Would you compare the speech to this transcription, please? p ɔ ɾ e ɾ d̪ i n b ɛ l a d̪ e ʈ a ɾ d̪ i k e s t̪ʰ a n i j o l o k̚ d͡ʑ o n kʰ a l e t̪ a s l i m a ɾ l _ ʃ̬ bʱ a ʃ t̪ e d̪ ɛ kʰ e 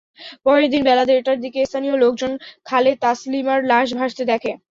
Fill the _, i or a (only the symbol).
a